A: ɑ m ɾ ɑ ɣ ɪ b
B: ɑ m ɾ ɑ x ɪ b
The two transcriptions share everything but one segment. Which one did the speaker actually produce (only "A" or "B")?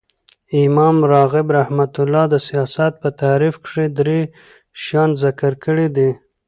A